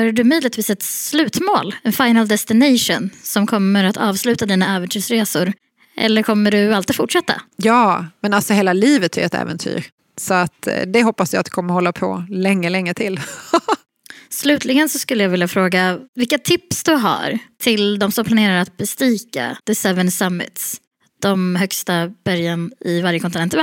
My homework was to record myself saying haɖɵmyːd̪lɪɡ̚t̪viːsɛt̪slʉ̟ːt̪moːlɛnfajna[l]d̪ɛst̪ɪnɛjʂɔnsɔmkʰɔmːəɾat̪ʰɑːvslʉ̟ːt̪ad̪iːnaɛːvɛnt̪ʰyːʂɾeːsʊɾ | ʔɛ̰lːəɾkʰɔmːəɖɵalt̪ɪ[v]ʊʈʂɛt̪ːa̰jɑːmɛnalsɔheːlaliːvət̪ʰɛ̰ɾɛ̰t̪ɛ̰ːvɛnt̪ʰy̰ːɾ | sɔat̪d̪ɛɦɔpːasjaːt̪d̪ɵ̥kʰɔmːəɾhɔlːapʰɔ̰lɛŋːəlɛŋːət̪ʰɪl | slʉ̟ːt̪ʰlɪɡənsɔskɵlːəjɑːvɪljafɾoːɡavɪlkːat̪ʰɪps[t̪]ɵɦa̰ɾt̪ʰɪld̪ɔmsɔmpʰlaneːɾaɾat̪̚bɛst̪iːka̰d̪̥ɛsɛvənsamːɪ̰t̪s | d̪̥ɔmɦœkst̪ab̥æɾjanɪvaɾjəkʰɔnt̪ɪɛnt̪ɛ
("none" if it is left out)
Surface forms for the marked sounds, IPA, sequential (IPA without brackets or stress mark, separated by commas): l, f, d̪